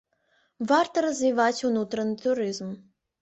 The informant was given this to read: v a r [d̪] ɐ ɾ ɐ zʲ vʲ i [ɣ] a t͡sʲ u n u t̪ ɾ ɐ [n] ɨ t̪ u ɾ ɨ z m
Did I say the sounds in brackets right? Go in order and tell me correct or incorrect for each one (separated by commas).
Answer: incorrect, incorrect, correct